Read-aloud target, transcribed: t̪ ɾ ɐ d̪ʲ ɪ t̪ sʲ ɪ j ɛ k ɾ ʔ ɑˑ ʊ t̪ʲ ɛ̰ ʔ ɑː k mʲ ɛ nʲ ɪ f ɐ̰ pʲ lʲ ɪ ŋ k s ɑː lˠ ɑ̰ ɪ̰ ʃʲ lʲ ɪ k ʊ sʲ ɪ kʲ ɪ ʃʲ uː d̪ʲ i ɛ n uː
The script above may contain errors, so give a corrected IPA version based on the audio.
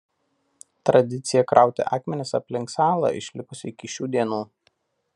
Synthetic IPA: t̪ ɾ ɐ d̪ʲ ɪ t̪ sʲ ɪ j ɛ k ɾ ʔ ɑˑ ʊ t̪ʲ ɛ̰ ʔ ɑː k mʲ ɛ nʲ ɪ s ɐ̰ pʲ lʲ ɪ ŋ k s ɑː lˠ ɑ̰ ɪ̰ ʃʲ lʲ ɪ k ʊ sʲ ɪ kʲ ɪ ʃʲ uː d̪ʲ i ɛ n uː